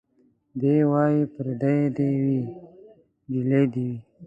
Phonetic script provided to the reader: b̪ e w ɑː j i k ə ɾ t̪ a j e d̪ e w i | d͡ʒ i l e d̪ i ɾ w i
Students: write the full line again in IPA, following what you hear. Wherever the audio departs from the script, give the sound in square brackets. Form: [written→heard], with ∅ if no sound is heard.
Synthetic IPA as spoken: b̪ e w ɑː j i [k→p] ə ɾ [t̪→d̪] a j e d̪ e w i | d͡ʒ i l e d̪ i [ɾ→∅] w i